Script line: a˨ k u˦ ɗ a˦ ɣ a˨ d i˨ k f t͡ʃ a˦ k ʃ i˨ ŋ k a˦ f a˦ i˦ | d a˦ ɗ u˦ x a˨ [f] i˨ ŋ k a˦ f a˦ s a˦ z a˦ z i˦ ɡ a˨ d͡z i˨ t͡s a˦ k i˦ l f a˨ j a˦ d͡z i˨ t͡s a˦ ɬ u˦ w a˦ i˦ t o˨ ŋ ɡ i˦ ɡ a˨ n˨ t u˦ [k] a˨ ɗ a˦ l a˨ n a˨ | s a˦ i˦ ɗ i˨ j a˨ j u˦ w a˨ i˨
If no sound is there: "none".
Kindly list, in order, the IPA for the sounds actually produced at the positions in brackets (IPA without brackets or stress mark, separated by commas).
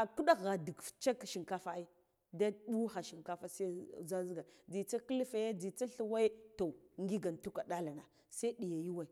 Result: ʃ, k